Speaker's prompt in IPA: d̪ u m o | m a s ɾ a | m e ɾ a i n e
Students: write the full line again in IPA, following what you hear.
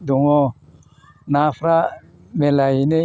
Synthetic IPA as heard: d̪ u ŋ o | n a f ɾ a | m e l a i n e